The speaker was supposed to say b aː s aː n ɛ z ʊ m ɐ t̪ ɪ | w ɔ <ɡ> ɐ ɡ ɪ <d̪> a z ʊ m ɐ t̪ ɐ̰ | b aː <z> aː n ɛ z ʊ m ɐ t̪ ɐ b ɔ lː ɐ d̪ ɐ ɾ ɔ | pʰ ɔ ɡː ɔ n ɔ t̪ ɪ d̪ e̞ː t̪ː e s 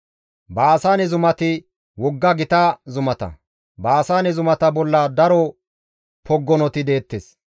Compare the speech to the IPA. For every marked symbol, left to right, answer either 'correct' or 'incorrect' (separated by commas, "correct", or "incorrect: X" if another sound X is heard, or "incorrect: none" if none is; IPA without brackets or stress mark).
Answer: incorrect: ɡː, incorrect: t̪, incorrect: s